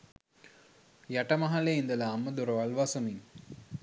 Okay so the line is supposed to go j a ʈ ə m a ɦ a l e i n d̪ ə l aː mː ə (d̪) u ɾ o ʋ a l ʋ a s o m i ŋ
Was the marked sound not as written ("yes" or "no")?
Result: no